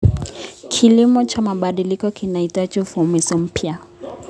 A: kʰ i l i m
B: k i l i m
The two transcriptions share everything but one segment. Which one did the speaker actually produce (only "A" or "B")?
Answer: A